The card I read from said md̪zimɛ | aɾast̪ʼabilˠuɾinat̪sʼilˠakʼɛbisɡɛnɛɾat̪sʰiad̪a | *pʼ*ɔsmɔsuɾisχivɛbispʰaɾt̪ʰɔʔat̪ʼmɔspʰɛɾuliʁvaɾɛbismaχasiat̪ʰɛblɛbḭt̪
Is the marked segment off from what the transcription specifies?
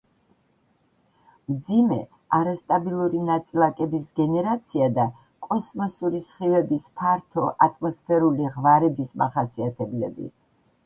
yes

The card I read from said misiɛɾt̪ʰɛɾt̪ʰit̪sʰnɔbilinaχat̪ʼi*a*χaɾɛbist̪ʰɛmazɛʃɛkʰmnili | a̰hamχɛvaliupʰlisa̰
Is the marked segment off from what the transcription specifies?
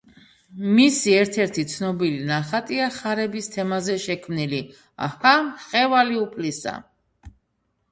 no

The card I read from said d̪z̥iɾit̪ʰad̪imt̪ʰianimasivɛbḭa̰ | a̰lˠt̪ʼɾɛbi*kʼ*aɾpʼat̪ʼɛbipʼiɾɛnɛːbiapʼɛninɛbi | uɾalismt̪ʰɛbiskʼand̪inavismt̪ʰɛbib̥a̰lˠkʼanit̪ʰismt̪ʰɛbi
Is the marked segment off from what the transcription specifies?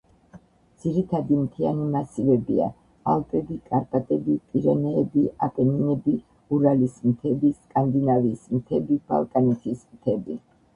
no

